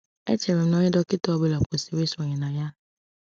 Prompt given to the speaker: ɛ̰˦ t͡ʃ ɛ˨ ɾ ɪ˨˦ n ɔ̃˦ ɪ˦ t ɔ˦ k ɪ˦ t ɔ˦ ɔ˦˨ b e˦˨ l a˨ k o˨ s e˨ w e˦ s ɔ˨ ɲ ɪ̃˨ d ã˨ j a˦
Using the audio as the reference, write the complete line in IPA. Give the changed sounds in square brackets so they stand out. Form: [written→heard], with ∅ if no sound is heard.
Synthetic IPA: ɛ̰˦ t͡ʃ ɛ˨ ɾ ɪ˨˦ n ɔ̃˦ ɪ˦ [t→d] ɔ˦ k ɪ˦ t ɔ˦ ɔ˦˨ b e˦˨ l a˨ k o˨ s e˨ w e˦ s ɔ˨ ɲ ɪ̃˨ [d→n] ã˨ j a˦